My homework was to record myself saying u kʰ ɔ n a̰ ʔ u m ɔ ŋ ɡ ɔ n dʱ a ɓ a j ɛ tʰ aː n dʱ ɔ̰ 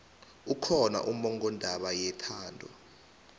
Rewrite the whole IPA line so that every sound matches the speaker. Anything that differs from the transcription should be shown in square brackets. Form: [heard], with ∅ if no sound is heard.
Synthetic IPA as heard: u kʰ ɔ n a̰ ʔ u m ɔ ŋ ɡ ɔ n dʱ a ɓ a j ɛ tʰ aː n dʱ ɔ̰